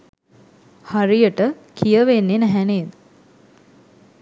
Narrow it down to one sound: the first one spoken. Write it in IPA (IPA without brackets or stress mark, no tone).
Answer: h